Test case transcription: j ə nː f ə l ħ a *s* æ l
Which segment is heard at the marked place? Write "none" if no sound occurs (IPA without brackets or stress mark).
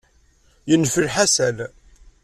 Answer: s